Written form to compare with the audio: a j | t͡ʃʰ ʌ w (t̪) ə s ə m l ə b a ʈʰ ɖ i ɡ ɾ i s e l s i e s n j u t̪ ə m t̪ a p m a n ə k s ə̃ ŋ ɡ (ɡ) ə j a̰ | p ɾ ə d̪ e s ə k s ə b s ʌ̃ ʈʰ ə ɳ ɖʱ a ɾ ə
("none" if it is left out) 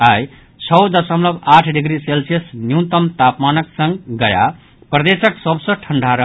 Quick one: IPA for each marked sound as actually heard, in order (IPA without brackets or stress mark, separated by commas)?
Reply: d̪, ɡ